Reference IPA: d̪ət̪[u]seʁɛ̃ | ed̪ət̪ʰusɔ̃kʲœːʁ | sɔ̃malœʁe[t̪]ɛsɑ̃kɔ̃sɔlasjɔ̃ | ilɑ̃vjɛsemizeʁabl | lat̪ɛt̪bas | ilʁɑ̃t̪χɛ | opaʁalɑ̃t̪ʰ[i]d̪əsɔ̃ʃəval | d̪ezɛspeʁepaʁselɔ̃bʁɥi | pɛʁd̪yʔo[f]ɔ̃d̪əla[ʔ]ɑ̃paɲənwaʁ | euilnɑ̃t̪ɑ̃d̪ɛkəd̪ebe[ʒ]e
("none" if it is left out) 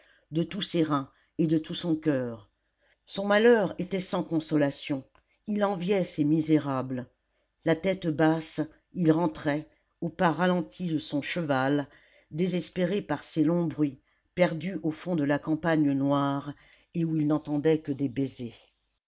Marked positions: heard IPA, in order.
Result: u, t̪, i, f, k, z

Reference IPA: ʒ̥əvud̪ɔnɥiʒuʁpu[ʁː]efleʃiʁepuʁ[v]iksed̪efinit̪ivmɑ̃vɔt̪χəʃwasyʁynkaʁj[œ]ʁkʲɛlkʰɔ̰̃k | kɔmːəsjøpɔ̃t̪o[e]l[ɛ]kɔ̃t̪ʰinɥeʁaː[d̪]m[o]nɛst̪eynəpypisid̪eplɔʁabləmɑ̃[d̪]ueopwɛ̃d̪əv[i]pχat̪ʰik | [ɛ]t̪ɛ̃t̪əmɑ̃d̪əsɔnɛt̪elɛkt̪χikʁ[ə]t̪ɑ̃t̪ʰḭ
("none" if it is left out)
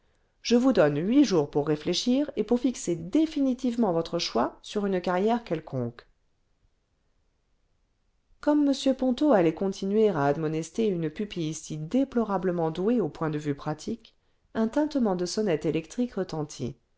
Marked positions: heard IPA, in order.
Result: ʁː, f, ɛ, a, ɛ, d̪, ɔ, d̪, y, ɛ̃, ə

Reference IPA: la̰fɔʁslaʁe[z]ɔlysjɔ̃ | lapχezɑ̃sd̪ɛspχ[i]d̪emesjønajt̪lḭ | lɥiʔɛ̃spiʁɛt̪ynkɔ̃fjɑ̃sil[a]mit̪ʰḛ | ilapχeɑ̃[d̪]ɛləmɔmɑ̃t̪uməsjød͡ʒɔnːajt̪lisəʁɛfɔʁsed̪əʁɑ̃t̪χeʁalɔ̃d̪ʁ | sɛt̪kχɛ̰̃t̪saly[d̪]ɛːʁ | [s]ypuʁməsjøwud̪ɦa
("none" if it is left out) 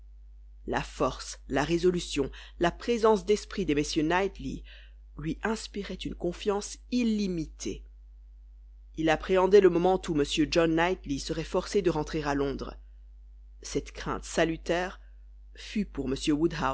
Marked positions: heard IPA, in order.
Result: z, i, i, d̪, t̪, f

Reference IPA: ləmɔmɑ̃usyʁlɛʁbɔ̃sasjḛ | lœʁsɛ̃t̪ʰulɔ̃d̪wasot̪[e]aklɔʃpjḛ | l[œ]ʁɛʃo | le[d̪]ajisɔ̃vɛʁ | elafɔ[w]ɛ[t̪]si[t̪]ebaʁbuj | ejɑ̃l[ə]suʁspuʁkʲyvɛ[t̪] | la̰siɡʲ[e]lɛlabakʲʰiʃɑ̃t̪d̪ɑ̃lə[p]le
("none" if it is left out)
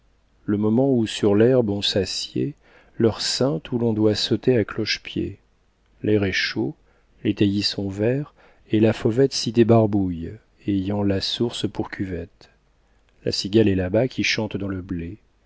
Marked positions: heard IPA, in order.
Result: e, ɛ, t̪, v, t̪, d̪, a, t̪, a, b

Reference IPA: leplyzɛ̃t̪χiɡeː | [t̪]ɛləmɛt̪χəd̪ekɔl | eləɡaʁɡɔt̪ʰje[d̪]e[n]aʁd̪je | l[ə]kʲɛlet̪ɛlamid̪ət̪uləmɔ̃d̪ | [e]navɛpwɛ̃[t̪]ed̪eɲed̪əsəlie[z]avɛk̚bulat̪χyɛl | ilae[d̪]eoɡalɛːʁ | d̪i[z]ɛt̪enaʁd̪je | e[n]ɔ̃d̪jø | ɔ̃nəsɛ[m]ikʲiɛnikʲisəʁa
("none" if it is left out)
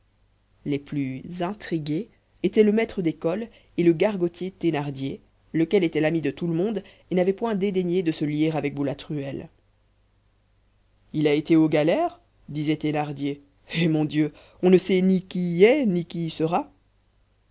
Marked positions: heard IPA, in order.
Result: t̪, t̪, n, ə, e, d̪, ʁ, t̪, z, m, n

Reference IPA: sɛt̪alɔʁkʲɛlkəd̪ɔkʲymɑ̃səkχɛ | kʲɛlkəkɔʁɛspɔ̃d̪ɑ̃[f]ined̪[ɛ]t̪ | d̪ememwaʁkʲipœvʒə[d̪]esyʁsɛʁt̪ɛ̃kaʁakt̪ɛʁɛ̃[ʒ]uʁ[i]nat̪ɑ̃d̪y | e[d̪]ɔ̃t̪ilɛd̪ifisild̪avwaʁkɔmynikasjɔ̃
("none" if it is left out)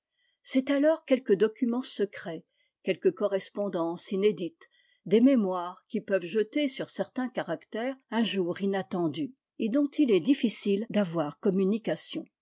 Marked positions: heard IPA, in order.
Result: s, i, t̪, ʒ, i, d̪

